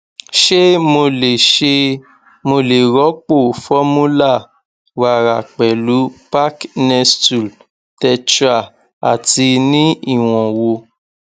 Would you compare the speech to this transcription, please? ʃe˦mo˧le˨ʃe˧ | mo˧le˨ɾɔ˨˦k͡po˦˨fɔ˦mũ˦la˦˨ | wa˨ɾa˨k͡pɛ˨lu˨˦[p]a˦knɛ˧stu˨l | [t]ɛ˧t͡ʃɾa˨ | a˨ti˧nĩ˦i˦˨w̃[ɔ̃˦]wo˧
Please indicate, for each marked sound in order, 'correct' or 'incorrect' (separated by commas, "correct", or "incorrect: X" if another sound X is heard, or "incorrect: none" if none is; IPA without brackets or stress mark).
correct, correct, incorrect: ɔ̃˨